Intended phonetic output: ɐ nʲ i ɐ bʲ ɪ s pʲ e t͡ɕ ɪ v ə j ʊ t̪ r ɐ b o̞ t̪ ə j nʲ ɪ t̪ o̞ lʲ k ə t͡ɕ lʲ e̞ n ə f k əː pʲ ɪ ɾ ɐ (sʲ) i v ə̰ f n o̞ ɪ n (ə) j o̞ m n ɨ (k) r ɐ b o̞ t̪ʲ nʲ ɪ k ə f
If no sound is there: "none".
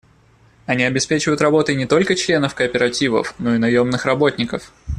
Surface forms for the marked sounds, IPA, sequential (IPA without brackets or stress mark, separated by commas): tʲ, ɐ, x